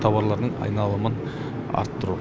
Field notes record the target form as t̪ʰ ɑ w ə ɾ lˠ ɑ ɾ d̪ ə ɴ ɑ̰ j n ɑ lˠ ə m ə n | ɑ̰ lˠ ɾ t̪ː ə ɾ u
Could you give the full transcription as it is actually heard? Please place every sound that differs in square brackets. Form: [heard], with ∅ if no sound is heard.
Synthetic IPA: t̪ʰ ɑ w [ɑ] ɾ lˠ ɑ ɾ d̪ ə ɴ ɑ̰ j n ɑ lˠ ə m ə n | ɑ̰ [∅] ɾ t̪ː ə ɾ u